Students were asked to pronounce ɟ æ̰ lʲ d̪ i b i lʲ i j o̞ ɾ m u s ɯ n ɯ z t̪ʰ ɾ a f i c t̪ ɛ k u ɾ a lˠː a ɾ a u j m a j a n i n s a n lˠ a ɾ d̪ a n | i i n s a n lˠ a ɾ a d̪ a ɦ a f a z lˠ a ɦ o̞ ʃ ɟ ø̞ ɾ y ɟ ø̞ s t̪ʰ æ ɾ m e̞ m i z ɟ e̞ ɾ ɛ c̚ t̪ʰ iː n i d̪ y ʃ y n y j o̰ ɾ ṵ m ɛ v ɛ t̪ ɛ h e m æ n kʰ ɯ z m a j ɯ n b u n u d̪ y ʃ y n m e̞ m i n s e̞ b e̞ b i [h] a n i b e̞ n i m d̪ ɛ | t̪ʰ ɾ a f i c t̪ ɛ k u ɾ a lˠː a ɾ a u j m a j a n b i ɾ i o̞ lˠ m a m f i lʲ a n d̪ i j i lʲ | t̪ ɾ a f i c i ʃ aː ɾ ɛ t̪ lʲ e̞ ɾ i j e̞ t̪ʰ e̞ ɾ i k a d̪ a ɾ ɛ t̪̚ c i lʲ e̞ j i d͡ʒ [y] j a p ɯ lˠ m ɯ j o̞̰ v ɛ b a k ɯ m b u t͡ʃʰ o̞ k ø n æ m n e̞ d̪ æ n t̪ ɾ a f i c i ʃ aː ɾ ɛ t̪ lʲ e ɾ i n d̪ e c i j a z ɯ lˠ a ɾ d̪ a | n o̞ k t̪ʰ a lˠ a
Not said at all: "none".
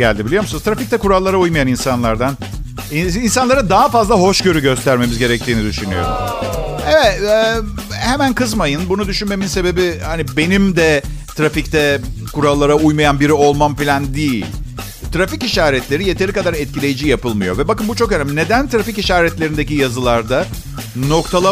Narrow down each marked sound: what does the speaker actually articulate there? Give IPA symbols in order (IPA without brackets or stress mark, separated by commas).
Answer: h, i